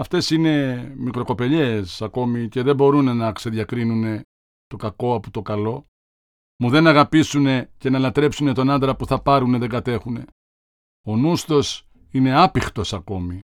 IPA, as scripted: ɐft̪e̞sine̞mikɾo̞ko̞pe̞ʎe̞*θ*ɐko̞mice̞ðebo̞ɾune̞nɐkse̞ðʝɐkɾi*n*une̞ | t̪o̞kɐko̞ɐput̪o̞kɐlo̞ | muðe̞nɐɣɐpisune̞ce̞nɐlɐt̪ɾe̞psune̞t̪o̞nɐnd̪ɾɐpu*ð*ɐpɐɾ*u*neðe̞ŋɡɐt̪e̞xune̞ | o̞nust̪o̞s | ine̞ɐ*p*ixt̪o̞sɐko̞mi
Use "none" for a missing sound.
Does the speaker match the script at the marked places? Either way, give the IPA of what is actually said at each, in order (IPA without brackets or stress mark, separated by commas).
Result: s, n, θ, u, p